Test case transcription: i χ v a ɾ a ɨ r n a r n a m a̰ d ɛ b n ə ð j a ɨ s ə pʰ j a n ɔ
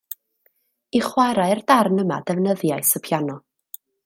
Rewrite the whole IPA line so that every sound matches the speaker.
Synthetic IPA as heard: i χ w a ɾ a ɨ r d a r n ə m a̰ d ɛ v n ə ð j a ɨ s ə pʰ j a n ɔ